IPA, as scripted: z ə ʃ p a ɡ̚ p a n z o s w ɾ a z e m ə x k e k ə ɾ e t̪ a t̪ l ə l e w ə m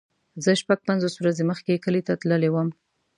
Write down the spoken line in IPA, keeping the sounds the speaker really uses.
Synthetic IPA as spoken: z ə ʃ p a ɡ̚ p a n z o s w ɾ a z e m ə x k e k ə l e t̪ a t̪ l ə l e w ə m